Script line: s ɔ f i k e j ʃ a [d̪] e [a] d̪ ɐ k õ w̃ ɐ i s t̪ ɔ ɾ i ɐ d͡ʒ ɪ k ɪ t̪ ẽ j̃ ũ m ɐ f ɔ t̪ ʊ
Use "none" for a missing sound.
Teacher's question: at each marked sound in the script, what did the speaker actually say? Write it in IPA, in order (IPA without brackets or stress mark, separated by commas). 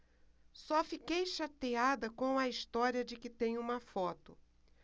t̪, a